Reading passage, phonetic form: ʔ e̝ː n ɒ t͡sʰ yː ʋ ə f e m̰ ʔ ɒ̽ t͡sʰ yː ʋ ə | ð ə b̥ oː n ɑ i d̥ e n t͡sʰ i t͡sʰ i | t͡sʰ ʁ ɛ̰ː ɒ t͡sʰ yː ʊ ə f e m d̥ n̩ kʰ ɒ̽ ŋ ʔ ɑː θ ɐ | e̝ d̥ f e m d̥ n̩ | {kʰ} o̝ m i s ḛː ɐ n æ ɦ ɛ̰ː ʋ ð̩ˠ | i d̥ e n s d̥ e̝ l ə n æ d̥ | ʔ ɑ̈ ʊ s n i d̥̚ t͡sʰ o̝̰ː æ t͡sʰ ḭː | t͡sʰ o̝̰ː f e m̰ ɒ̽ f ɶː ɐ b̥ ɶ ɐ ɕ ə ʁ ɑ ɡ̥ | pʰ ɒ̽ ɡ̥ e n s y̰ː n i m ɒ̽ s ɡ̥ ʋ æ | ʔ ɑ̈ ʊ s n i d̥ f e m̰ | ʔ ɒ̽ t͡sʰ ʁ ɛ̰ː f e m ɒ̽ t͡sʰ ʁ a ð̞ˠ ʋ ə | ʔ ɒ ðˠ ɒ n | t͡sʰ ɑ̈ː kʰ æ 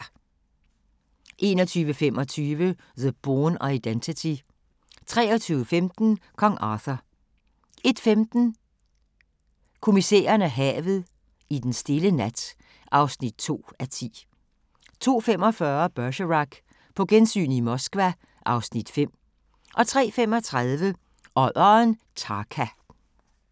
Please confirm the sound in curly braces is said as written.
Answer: yes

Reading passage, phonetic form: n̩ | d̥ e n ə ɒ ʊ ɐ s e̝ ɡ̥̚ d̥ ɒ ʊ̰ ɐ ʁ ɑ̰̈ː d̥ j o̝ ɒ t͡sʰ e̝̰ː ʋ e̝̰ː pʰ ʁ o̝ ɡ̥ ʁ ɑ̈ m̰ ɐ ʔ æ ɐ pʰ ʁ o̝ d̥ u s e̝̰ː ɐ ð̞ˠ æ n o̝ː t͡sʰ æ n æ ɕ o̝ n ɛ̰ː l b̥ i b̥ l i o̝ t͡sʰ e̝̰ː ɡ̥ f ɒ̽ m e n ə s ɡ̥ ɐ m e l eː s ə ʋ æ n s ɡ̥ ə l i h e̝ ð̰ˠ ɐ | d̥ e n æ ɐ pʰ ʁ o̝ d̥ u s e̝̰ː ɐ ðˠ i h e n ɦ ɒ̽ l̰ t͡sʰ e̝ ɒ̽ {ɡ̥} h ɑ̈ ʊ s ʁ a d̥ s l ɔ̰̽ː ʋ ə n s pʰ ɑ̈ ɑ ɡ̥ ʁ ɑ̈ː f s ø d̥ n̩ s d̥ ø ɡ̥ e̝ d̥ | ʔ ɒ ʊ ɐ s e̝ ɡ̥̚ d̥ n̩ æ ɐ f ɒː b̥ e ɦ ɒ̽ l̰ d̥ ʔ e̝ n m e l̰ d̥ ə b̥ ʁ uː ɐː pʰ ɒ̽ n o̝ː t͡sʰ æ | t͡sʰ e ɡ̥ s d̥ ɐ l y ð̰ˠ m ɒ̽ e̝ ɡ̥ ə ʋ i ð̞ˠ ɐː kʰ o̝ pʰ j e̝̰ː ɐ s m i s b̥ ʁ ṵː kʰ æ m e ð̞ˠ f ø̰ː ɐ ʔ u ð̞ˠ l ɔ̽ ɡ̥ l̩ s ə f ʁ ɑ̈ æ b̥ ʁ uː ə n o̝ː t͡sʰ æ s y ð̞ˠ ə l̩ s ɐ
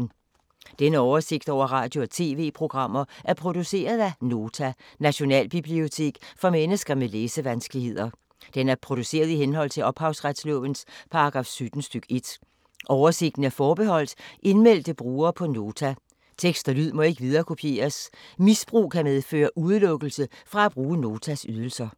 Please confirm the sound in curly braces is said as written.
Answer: no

